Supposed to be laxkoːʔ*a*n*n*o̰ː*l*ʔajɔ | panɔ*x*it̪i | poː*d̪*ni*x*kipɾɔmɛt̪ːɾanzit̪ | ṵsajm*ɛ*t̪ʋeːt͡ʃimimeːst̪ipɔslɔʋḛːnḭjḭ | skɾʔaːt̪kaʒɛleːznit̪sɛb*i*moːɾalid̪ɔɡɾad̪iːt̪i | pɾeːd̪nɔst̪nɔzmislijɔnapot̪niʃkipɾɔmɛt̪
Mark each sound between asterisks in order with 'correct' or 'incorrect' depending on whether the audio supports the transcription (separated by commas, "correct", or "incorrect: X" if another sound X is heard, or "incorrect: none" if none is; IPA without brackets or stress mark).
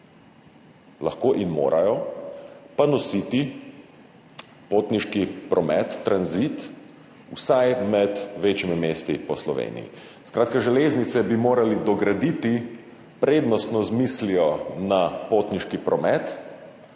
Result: incorrect: i, incorrect: m, incorrect: ɾ, incorrect: s, incorrect: t̪, incorrect: ʃ, correct, correct